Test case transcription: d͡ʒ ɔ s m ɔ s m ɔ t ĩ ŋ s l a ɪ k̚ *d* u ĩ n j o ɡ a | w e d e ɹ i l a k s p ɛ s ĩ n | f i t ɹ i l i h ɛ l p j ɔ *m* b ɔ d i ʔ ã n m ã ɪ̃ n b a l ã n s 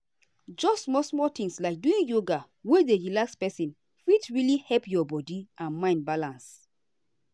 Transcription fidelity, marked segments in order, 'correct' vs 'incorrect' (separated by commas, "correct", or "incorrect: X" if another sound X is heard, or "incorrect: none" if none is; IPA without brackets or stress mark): correct, incorrect: none